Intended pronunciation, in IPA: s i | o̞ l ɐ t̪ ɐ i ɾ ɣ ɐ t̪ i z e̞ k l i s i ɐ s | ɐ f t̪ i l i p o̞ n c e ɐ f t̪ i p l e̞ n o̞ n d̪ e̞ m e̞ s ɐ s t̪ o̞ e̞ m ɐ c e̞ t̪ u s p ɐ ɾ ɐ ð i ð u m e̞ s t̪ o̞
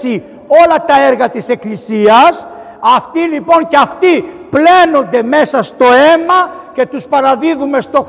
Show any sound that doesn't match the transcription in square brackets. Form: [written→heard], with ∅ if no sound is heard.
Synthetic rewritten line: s i | o̞ l ɐ t̪ ɐ [i→e] ɾ ɣ ɐ t̪ i [z→s] e̞ k l i s i ɐ s | ɐ f t̪ i l i p o̞ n c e ɐ f t̪ i p l e̞ n o̞ n d̪ e̞ m e̞ s ɐ s t̪ o̞ e̞ m ɐ c e̞ t̪ u s p ɐ ɾ ɐ ð i ð u m e̞ s t̪ o̞